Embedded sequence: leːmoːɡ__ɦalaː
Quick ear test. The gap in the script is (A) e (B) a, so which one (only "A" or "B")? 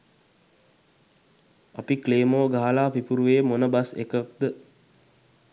B